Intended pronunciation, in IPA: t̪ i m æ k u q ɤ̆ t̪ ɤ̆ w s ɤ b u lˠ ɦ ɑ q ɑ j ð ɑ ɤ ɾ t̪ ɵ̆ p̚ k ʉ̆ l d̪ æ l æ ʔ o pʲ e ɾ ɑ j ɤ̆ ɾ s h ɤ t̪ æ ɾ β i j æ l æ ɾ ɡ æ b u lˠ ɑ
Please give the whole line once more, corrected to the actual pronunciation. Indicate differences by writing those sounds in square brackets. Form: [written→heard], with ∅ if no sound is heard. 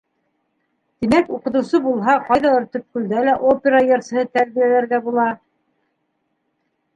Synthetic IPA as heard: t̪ i m æ k u q ɤ̆ t̪ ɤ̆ w s ɤ b u lˠ ɦ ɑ q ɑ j ð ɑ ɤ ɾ t̪ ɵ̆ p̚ k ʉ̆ l d̪ æ l æ ʔ o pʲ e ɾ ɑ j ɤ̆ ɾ s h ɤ t̪ æ ɾ β i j æ l æ ɾ ɡ æ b u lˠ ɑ